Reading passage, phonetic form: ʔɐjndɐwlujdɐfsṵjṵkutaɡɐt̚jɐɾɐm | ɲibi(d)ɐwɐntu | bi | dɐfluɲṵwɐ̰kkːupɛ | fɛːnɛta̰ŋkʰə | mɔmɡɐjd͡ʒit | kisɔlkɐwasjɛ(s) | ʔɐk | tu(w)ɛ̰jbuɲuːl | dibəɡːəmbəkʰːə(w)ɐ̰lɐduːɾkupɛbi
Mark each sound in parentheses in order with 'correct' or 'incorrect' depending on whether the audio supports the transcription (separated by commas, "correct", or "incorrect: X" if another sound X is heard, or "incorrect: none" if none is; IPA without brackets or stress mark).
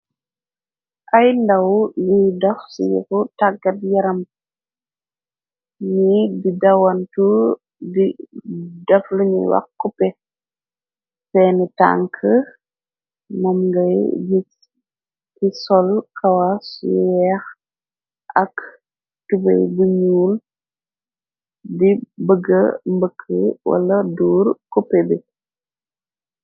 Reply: correct, incorrect: x, incorrect: b, correct